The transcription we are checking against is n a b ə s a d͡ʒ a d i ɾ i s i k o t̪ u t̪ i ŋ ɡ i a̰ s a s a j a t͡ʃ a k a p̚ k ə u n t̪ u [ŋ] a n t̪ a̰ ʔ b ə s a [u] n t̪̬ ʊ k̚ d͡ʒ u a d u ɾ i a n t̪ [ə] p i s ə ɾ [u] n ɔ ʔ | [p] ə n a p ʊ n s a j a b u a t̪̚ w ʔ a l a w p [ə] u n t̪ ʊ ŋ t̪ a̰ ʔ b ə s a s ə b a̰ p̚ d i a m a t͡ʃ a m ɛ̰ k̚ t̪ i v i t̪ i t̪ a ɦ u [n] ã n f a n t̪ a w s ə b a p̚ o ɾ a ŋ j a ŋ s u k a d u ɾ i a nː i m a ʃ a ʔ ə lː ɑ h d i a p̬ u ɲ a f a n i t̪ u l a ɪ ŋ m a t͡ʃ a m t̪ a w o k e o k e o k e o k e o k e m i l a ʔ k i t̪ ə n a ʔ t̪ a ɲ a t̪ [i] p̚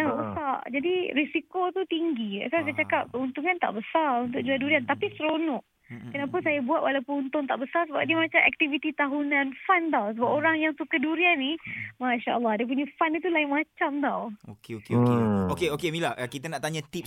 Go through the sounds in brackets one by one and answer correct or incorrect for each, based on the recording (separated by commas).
correct, correct, incorrect, incorrect, incorrect, correct, correct, correct